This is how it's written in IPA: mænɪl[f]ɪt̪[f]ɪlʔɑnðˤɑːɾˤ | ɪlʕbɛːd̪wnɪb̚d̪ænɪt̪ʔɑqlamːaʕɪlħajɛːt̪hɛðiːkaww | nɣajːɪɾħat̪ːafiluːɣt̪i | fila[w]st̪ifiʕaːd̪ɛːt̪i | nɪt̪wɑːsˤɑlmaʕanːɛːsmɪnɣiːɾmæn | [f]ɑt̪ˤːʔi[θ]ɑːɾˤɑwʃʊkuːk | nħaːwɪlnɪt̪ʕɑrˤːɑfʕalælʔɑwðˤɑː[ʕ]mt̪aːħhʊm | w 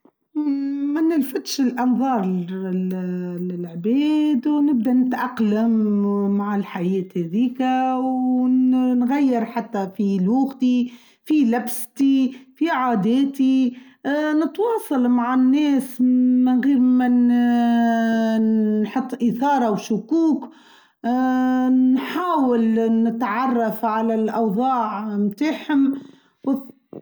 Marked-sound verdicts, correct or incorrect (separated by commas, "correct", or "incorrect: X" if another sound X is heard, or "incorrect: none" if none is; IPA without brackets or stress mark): correct, incorrect: ʃ, incorrect: b, incorrect: ħ, correct, correct